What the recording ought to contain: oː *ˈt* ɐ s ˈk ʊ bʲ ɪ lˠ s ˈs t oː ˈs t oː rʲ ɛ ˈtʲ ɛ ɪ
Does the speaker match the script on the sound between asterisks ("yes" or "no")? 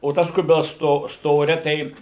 yes